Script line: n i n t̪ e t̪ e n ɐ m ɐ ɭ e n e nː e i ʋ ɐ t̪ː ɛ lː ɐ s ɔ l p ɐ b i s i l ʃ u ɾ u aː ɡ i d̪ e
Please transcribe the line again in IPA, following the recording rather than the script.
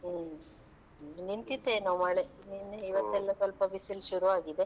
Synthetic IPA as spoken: n i n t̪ i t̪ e n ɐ m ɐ ɭ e n i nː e i ʋ ɐ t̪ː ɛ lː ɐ s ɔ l p ɐ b i s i l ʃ u ɾ u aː ɡ i d̪ e